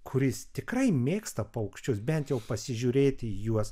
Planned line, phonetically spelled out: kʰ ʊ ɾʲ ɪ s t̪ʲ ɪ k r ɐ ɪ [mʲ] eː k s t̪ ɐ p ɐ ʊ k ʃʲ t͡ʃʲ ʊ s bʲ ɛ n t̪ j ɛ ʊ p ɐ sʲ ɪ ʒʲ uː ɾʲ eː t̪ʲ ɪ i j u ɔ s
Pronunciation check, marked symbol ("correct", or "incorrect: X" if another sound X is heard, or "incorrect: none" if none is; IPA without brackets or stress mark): correct